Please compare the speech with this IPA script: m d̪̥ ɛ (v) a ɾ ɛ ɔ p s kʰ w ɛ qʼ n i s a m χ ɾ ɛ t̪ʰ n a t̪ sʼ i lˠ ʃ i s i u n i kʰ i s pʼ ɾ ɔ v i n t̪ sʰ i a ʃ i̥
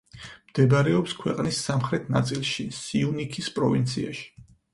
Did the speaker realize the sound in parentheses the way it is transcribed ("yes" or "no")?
no